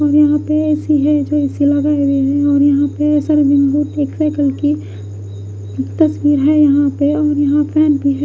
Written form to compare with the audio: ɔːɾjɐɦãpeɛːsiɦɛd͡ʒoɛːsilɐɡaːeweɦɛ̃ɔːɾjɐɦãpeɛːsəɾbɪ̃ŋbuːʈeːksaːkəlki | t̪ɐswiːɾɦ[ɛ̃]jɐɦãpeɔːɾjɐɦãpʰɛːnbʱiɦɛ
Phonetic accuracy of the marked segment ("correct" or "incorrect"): incorrect